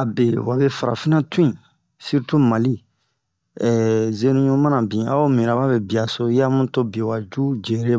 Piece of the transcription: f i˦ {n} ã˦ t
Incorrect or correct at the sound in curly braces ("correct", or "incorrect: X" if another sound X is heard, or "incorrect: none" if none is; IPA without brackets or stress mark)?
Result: correct